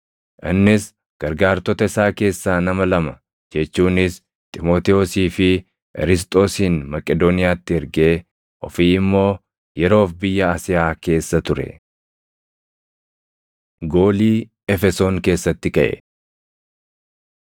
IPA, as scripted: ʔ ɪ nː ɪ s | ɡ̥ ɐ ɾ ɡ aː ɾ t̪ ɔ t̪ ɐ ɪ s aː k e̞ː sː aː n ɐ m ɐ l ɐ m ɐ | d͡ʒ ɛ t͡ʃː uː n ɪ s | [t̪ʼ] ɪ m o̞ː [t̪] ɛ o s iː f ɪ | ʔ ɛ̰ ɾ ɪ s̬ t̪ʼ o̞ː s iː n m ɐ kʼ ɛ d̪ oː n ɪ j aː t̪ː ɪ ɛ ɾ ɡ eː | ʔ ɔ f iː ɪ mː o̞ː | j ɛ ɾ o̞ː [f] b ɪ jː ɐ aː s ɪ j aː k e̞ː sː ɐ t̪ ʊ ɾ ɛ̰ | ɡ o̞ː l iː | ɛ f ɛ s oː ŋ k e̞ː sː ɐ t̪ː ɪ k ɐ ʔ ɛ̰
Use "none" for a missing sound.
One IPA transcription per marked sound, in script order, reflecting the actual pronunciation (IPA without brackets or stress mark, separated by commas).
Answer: t̪ʼ, t̪, f